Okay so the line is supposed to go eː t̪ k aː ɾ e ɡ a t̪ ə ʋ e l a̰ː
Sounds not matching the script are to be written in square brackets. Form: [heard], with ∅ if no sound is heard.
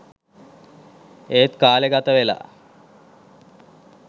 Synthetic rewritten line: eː t̪ k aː [l] e ɡ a t̪ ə ʋ e l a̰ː